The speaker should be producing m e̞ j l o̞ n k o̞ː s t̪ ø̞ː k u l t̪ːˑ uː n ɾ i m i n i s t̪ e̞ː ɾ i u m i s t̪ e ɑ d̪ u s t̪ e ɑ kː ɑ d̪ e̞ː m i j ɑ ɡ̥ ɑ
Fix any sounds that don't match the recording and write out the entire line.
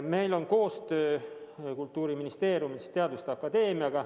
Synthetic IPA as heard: m e̞ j l o̞ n k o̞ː s t̪ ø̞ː k u l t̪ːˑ uː ɾ i m i n i s t̪ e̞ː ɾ j u m i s t̪ e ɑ d̪ u s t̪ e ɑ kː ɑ d̪ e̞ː m i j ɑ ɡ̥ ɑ